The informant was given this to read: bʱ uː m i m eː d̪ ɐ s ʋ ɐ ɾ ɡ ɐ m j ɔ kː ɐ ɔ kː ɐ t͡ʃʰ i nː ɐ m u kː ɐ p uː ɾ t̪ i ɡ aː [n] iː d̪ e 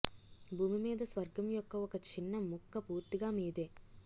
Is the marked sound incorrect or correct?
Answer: incorrect